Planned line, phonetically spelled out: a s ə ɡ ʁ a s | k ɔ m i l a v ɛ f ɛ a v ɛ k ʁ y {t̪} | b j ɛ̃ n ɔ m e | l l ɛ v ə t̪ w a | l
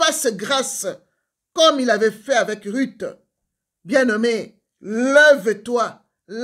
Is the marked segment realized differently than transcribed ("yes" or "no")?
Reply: no